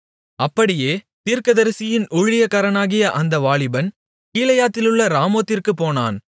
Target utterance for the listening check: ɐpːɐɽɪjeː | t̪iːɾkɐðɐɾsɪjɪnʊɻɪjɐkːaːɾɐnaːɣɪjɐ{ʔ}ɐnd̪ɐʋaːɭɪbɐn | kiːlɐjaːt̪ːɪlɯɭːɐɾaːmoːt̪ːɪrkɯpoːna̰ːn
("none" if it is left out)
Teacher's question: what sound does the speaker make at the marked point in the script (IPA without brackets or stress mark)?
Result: ʔ